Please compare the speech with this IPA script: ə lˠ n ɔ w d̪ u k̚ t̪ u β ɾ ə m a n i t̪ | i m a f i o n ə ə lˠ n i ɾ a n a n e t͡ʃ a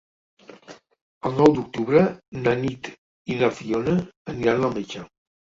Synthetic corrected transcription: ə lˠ n ɔ w d̪ u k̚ t̪ u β ɾ ə n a n i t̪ | i n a f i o n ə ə n i ɾ a n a m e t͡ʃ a